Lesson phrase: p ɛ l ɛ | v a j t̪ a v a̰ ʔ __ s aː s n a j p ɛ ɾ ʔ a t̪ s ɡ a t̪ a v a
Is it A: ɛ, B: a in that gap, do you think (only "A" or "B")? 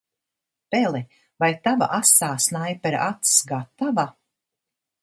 B